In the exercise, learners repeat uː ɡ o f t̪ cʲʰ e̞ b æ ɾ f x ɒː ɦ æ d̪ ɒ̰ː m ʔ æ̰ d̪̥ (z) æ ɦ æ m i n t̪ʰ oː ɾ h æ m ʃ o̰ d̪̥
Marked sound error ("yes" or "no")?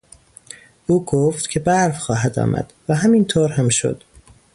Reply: yes